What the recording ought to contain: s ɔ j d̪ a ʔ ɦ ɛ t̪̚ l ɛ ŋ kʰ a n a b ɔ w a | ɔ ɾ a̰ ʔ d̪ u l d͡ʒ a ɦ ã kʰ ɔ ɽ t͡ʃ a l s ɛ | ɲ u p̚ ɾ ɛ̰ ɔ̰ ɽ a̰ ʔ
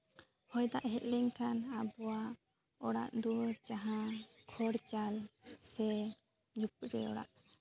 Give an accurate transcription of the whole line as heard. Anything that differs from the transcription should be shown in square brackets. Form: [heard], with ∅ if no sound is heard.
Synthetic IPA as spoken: [h] ɔ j d̪ a ʔ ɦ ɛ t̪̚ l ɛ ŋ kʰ a n a b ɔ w a | ɔ [ɽ] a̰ ʔ d̪ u [ɾ] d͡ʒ a ɦ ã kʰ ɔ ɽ t͡ʃ a l s ɛ | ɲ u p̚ ɾ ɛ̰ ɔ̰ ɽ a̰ ʔ

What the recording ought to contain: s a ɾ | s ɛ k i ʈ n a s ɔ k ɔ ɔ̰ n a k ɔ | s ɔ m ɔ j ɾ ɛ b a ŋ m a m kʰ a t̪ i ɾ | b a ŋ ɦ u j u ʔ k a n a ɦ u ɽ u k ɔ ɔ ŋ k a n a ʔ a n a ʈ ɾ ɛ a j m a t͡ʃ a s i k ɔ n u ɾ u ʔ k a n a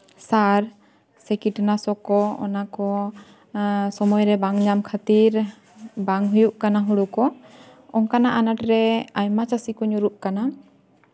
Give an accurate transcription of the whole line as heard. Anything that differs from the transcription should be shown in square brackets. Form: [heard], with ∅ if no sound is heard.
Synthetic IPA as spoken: s a ɾ | s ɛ k i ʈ n a s ɔ k ɔ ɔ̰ n a k ɔ | s ɔ m ɔ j ɾ ɛ b a ŋ [ɲ] a m kʰ a t̪ i ɾ | b a ŋ ɦ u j u ʔ k a n a ɦ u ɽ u k ɔ ɔ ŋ k a n a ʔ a n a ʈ ɾ ɛ a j m a t͡ʃ a s i k ɔ [ɲ] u ɾ u ʔ k a n a

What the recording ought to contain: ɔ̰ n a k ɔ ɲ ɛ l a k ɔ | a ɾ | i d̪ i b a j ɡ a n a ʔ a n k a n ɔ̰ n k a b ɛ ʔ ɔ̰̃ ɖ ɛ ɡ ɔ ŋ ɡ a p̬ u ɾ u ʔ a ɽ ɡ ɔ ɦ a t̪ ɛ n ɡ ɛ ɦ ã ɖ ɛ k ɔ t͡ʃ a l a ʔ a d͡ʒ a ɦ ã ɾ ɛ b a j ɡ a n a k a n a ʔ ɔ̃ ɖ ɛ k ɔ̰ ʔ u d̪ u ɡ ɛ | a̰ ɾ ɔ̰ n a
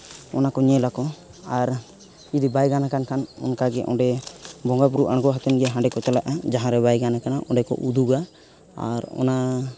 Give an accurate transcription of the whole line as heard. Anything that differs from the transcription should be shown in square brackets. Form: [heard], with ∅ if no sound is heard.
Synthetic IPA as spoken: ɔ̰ n a k ɔ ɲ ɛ l a k ɔ | a ɾ | i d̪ i b a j ɡ a n a [k] a n k a n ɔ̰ n k a [ɡ] ɛ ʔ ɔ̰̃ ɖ ɛ [b] ɔ ŋ ɡ a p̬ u ɾ u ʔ a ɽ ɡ ɔ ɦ a t̪ ɛ n ɡ ɛ ɦ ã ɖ ɛ k ɔ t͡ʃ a l a ʔ a d͡ʒ a ɦ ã ɾ ɛ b a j ɡ a n a k a n a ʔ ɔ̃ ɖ ɛ k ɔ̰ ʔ u d̪ u ɡ [a] | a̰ ɾ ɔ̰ n a

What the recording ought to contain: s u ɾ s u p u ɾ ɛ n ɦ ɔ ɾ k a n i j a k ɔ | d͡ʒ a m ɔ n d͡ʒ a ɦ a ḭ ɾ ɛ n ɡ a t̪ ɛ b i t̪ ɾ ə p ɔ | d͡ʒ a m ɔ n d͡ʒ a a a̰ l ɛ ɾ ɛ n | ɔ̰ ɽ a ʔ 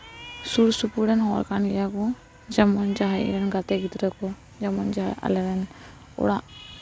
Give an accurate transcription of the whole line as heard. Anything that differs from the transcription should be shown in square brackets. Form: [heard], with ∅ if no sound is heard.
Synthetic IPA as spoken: s u ɾ s u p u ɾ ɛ n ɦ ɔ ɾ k a n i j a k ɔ | d͡ʒ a m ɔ n d͡ʒ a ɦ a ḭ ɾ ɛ n ɡ a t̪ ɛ [ɡ] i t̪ ɾ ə [k] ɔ | d͡ʒ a m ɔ n d͡ʒ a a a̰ l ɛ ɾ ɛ n | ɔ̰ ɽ a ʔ

